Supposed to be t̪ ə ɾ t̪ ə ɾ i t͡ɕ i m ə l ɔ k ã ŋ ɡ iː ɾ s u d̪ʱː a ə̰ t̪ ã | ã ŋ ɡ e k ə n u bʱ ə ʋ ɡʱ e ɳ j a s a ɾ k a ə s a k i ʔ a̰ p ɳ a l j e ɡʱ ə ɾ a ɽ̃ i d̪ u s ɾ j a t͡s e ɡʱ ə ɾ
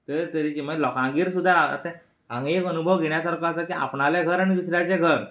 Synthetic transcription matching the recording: t̪ ə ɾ t̪ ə ɾ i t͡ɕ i m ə l ɔ k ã ŋ ɡ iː ɾ s u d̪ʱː a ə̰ t̪ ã | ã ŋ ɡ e k ə n u bʱ ə ʋ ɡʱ e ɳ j a s a ɾ k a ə s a k i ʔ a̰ p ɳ a l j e ɡʱ ə ɾ a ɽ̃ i d̪ u s ɾ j a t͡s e ɡʱ ə ɾ